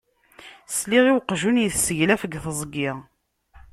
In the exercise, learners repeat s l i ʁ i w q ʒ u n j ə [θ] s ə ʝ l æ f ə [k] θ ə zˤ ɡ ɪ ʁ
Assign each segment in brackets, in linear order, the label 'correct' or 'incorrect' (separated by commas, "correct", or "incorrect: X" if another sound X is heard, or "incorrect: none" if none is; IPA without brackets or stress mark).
correct, incorrect: ɡ